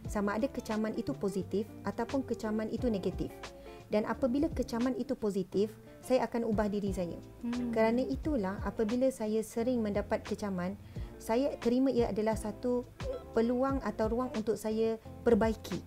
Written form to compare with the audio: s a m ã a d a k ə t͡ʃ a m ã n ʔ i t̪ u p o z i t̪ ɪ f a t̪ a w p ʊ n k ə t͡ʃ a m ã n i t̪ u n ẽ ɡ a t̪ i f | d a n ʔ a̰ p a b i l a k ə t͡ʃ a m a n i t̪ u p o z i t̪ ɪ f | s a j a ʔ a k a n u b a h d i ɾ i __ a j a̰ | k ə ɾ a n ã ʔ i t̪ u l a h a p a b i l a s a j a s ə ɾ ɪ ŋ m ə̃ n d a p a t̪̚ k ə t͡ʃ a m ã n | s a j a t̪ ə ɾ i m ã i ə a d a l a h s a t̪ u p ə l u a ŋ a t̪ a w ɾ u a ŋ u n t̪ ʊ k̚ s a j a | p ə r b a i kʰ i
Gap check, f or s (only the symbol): s